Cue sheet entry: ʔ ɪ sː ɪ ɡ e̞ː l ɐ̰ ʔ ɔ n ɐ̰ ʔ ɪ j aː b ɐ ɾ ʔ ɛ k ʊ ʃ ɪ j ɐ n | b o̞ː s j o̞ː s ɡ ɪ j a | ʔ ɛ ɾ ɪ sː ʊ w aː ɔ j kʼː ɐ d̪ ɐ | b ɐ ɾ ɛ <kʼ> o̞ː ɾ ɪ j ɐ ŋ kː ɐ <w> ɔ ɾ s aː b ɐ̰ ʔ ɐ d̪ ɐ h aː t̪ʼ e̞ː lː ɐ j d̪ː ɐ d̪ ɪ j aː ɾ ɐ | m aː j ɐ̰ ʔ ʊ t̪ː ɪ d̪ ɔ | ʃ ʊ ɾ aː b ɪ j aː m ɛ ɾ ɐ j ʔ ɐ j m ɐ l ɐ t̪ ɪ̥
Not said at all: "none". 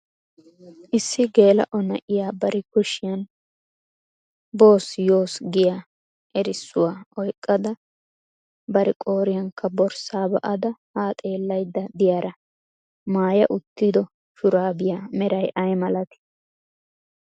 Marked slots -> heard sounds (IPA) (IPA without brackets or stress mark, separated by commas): kʼ, b